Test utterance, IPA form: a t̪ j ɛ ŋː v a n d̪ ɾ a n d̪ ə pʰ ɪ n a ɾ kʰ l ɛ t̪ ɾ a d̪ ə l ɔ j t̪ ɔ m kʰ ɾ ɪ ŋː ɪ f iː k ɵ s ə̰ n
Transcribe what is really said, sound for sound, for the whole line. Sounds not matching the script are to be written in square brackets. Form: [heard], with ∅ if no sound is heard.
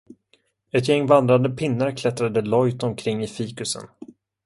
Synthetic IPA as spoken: [ɛ] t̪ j ɛ ŋː v a n d̪ ɾ a n d̪ ə pʰ ɪ [nː] a ɾ kʰ l ɛ t̪ ɾ a d̪ ə l ɔ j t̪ ɔ m kʰ ɾ ɪ ŋː ɪ f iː k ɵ s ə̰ n

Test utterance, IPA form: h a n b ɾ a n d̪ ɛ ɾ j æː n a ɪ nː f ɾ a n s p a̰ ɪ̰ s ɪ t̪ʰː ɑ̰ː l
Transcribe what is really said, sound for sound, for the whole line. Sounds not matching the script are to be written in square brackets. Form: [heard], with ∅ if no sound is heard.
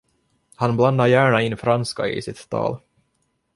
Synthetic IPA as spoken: h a n b [l] a n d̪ [a] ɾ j æː [ɳ] a ɪ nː f ɾ a n s [k] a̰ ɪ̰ s ɪ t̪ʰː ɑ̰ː l

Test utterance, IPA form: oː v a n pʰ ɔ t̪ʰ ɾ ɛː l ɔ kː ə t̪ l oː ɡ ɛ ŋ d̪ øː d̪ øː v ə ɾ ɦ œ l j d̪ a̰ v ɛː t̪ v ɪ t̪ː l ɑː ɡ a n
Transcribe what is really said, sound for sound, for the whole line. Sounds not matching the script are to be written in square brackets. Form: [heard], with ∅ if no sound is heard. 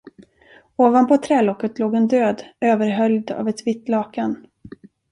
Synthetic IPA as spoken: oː v a n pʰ ɔ t̪ʰ ɾ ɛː l ɔ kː ə t̪ l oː ɡ ɛ [n] d̪ øː d̪ øː v ə ɾ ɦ œ l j d̪ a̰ v [ɛ] t̪ v ɪ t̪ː l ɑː [k] a n

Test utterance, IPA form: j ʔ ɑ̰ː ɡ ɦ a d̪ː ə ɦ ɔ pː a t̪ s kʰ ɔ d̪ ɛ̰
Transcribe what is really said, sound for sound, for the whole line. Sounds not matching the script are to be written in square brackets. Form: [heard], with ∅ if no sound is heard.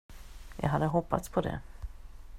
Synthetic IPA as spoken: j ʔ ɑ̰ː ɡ ɦ a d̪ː ə ɦ ɔ pː a t̪ s [pʰ] ɔ d̪ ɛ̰

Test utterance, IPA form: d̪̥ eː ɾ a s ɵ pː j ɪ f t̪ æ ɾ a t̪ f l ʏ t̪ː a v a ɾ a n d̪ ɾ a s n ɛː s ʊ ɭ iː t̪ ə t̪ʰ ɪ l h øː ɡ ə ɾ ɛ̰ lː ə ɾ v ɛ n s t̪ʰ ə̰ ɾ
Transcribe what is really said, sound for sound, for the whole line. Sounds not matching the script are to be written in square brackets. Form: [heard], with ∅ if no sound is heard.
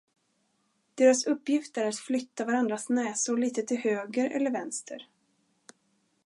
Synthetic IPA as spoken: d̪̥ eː ɾ a s ɵ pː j ɪ f t̪ æ ɾ a t̪ f l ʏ t̪ː a v a ɾ a n d̪ ɾ a s n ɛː s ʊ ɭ iː t̪ ə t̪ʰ ɪ l h øː ɡ ə ɾ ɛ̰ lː ə ɾ v ɛ n s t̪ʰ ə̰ ɾ

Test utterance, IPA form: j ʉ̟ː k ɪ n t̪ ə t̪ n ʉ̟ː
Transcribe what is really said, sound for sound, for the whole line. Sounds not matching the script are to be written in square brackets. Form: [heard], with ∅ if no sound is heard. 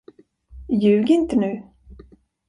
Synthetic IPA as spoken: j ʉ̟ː [ɡ] ɪ n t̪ ə [∅] n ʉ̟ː

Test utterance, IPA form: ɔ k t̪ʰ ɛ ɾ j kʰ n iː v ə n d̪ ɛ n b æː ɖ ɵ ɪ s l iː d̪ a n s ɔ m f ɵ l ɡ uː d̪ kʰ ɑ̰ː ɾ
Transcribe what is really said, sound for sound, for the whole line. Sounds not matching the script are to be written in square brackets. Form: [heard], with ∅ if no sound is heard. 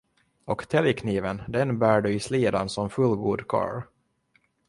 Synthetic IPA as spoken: ɔ k t̪ʰ ɛ [l] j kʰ n iː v ə n d̪ ɛ n b æː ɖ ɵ ɪ s l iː d̪ a n s ɔ m f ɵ l ɡ uː d̪ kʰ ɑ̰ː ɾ

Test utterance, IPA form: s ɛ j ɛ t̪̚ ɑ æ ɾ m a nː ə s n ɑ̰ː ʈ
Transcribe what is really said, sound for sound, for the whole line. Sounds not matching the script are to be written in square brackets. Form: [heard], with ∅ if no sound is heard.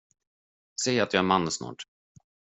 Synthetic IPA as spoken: s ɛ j [a] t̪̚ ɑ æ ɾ m a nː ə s n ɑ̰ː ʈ

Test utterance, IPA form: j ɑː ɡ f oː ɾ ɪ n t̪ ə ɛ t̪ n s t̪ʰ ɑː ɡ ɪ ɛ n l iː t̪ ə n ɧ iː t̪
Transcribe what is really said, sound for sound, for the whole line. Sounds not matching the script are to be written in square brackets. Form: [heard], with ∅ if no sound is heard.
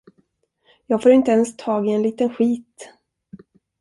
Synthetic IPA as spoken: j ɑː ɡ f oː ɾ ɪ n t̪ ə ɛ [∅] n s t̪ʰ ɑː ɡ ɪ ɛ n l iː t̪ ə n ɧ iː t̪

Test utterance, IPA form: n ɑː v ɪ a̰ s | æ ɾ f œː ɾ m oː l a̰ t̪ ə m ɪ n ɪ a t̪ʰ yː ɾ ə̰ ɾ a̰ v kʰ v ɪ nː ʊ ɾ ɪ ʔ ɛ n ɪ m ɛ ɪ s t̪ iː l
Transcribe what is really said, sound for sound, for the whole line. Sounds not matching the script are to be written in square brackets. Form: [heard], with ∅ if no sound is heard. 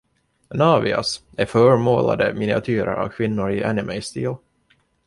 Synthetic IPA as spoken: n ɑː v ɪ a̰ s | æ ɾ f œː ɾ m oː l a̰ [d̪] ə m ɪ n ɪ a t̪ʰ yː ɾ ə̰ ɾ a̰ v kʰ v ɪ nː ʊ ɾ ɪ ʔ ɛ n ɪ m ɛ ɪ s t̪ iː l

